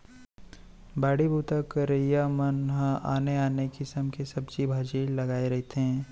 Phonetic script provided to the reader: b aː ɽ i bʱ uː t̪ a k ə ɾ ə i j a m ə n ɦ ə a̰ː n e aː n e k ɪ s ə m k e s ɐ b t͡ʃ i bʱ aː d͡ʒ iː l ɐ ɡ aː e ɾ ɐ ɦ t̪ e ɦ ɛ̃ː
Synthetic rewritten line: b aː ɽ i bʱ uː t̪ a k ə ɾ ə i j a m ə n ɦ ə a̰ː n e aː n e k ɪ s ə m k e s ɐ b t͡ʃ i bʱ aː d͡ʒ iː l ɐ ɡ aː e ɾ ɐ ɦ t̪ e ɦ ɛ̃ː